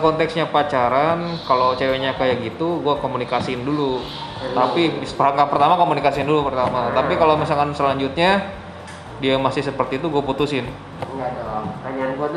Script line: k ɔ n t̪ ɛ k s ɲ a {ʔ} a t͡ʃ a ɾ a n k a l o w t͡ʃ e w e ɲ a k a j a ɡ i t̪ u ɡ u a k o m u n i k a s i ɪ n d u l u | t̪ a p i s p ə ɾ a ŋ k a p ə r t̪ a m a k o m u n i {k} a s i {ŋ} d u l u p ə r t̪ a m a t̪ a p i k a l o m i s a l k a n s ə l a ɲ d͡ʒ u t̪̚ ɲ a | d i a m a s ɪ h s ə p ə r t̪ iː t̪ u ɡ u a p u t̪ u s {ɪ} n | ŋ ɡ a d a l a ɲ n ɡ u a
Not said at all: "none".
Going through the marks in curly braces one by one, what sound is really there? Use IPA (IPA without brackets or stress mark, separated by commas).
p, k, n, ɪ